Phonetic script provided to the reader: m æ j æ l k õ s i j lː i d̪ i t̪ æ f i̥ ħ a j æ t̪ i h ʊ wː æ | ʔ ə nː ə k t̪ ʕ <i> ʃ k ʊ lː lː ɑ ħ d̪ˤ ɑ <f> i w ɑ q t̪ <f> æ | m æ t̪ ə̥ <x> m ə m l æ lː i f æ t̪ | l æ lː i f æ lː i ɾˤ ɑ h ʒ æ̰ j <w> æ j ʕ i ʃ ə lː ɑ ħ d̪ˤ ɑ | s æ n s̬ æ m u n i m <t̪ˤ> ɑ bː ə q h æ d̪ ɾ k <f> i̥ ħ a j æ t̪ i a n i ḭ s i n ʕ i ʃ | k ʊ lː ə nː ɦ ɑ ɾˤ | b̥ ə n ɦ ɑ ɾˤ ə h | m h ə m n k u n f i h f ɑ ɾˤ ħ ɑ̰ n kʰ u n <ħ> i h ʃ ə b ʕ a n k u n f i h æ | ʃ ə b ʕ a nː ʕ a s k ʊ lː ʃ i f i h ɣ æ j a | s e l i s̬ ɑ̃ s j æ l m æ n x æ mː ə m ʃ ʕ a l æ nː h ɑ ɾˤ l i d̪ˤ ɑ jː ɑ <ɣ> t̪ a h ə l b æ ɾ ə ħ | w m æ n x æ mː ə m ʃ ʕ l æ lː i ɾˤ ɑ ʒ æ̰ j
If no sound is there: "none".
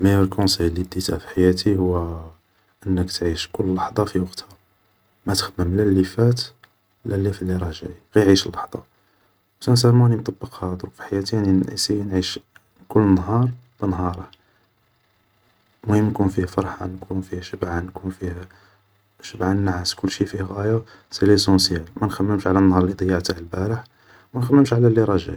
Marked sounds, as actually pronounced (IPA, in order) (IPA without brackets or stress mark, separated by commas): i, f, h, x, ɣ, t̪ˤ, f, f, ʕ